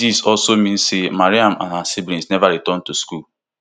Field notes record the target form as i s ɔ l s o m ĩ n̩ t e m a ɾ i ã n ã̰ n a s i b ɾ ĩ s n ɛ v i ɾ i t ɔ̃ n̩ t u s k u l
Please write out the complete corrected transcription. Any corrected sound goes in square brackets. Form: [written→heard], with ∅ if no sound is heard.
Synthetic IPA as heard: i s ɔ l s o m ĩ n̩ [t→s] e m a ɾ i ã [n→m] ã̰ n a s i b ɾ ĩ s n ɛ v [i→a] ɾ i t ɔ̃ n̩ t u s k u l